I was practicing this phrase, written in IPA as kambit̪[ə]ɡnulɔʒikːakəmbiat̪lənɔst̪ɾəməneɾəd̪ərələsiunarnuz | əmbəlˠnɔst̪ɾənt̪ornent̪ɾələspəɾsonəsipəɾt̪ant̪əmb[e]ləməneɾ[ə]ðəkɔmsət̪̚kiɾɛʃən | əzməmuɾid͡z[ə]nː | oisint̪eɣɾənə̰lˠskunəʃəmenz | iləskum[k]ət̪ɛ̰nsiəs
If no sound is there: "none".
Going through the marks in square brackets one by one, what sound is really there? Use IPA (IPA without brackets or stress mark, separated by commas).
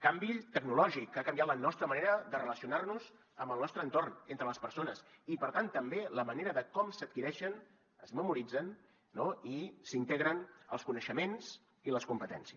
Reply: ə, e, ə, ə, p